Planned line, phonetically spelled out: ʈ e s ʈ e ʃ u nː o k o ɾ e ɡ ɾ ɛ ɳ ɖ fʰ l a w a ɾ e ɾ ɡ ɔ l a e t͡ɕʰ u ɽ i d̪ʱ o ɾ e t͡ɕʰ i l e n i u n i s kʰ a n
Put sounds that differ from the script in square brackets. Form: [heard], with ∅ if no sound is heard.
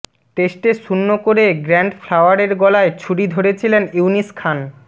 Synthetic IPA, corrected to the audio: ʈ e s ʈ e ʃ u nː o k o ɾ e ɡ ɾ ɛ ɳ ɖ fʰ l a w a ɾ e ɾ ɡ ɔ l a e t͡ɕʰ u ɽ i d̪ʱ o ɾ e t͡ɕʰ i l e n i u n i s kʰ a n